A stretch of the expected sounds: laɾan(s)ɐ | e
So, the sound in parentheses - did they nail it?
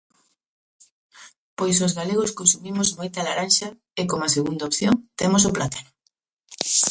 no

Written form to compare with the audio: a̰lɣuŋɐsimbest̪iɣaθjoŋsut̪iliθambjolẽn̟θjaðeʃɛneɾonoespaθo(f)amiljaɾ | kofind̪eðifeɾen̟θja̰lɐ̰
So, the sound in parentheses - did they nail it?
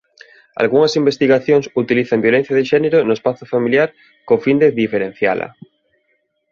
yes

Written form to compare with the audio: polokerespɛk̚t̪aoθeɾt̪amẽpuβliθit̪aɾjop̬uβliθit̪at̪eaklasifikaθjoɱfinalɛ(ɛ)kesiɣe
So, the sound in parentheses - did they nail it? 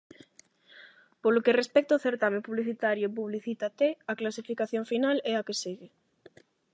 no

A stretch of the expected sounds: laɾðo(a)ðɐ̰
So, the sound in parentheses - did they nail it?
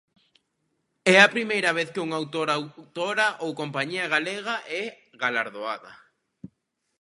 yes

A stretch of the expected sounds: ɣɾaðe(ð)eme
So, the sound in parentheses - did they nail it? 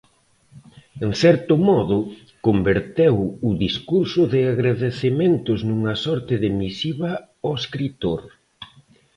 no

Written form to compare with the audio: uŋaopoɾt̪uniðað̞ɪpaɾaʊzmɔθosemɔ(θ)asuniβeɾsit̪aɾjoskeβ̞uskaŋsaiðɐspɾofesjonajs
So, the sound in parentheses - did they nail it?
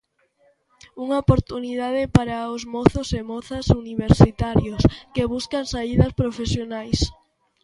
yes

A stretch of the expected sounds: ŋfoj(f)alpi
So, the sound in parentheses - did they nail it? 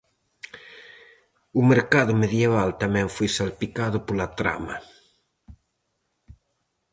no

